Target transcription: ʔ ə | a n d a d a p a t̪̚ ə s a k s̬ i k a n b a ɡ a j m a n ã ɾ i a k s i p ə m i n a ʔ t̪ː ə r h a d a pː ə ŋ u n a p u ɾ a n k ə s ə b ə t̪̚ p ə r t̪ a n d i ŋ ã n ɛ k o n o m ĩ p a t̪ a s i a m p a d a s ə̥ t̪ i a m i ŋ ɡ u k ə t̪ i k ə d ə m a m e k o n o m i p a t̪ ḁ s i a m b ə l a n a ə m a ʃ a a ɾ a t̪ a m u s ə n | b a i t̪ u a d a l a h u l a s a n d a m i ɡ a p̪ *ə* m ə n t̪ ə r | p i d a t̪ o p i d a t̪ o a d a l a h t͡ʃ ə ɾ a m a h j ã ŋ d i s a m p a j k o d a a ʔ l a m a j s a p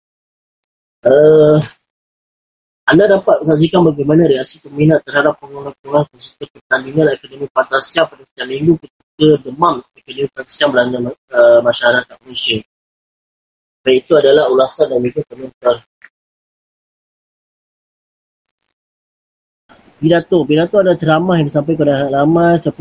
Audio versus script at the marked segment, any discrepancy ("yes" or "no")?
no